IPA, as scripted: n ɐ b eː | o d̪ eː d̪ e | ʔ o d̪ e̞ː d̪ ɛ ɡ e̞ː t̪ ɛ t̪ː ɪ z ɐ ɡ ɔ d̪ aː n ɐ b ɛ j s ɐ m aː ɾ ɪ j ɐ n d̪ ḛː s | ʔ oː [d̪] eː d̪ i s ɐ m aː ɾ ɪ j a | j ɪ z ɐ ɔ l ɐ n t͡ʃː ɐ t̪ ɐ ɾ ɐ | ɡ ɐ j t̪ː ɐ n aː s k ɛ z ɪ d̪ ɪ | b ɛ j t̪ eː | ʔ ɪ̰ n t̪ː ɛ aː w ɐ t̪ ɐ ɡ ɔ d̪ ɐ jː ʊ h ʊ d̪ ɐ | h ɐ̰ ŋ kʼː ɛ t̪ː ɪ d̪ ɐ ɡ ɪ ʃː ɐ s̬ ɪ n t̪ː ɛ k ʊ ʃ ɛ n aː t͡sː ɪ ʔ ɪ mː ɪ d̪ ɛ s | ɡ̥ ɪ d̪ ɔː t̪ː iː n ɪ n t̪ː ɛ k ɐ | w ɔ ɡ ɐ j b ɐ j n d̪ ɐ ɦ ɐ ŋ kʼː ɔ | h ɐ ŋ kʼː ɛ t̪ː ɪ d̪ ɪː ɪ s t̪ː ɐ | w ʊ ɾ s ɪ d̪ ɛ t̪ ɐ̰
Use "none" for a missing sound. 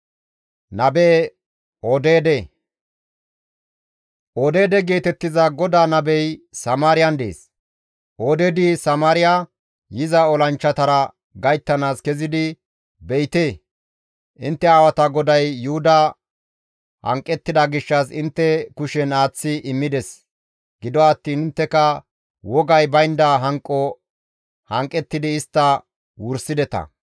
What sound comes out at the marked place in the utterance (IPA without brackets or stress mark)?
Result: d̪